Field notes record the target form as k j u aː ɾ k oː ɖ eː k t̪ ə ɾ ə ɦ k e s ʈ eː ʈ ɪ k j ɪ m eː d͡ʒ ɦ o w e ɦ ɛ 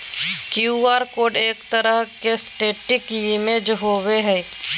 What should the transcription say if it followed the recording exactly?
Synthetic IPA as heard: k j u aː ɾ k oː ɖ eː k t̪ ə ɾ ə ɦ k e s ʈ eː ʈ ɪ k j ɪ m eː d͡ʒ ɦ o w e ɦ ɛ

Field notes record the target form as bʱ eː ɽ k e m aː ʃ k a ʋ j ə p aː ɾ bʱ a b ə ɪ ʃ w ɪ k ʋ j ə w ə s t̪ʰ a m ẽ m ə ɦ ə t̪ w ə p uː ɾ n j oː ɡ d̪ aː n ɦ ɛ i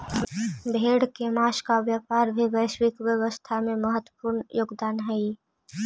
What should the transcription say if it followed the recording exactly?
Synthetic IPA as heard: bʱ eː ɽ k e m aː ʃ k a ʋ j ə p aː ɾ bʱ i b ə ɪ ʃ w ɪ k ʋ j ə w ə s t̪ʰ a m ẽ m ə ɦ ə t̪ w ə p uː ɾ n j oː ɡ d̪ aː n ɦ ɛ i

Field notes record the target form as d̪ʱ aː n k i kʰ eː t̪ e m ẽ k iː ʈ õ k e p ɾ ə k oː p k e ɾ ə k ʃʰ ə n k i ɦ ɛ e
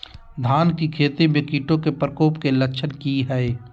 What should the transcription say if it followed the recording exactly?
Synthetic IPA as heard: d̪ʱ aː n k i kʰ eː t̪ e m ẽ k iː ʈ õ k e p ɾ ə k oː p k e l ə k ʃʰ ə n k i ɦ ɛ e

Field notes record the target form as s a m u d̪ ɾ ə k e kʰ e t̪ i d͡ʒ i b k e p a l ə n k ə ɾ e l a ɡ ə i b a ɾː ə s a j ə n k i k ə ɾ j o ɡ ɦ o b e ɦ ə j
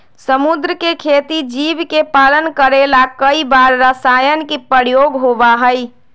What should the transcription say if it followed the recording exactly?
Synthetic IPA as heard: s ə m u d̪ ɾ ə k e kʰ e t̪ i d͡ʒ i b k e p a l ə n k ə ɾ e l a k ə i b a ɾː ə s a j ə n k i p ə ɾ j o ɡ ɦ o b a ɦ ə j

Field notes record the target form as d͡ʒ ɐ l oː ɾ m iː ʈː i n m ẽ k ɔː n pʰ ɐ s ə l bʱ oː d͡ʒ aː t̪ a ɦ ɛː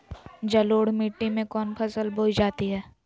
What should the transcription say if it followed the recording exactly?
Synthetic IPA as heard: d͡ʒ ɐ l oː ɽ m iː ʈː i m ẽ k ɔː n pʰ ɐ s ə l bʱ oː d͡ʒ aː t̪ i ɦ ɛː

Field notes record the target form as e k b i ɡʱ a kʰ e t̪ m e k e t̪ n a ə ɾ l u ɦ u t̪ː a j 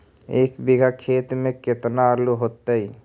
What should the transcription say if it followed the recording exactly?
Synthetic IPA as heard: e k b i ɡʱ a kʰ e t̪ m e k e t̪ n a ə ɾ l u ɦ o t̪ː ə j

